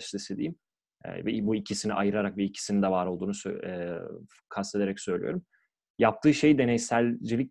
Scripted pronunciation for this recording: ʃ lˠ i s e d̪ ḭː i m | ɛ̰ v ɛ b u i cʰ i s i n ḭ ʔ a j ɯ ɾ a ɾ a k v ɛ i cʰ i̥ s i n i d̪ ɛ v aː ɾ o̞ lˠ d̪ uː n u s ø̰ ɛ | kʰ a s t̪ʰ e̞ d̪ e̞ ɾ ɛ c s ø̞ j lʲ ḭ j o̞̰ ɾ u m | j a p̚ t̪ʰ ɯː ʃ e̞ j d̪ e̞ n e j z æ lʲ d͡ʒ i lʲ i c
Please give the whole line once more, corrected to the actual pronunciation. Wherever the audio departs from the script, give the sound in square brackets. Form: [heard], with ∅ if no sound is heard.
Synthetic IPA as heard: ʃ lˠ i s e d̪ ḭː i m | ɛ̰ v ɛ b u i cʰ i s i n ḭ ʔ a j ɯ ɾ a ɾ a k v ɛ i cʰ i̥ s i n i d̪ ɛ v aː ɾ o̞ lˠ d̪ uː n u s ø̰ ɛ | kʰ a s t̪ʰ e̞ d̪ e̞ ɾ ɛ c s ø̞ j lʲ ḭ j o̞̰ ɾ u m | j a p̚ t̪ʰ ɯː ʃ e̞ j d̪ e̞ n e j [s] æ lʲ d͡ʒ i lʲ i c